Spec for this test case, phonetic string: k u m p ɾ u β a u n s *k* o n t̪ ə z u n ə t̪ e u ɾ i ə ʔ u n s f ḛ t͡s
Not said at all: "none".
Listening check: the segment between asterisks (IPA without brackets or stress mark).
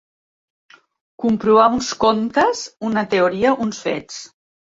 k